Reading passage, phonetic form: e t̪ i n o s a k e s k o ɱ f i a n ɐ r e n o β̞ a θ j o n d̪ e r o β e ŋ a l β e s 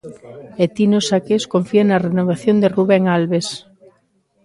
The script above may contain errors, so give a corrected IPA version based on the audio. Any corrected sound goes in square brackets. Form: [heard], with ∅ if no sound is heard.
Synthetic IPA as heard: e t̪ i n o s a k e s k o ɱ f i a n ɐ r e n o β̞ a θ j o n d̪ e r [u] β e ŋ a l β e s

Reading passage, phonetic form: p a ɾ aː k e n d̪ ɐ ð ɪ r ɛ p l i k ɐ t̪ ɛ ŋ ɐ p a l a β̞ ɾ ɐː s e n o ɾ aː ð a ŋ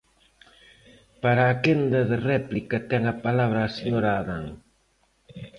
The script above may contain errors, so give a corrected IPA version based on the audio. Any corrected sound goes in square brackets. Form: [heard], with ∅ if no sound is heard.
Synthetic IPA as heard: p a ɾ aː k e n d̪ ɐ ð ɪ r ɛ p l i k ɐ t̪ ɛ ŋ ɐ p a l a β̞ ɾ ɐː s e [ɲ] o ɾ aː ð a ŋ

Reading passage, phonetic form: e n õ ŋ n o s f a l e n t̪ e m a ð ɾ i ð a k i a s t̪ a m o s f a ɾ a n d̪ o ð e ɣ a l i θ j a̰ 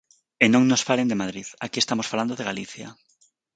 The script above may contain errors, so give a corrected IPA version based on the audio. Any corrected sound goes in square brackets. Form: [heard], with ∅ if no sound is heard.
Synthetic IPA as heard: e n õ ŋ n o s f a l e n [d̪] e m a ð ɾ i ð a k i [e] s t̪ a m o s f a [l] a n d̪ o ð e ɣ a l i θ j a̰

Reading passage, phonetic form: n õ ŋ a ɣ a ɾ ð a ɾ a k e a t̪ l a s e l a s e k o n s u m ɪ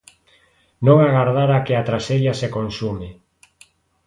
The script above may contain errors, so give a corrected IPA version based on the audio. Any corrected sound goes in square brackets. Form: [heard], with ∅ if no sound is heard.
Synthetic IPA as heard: n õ ŋ a ɣ a ɾ ð a ɾ a k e a t̪ [ɾ] a s e [ʎ] a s e k o n s u m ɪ

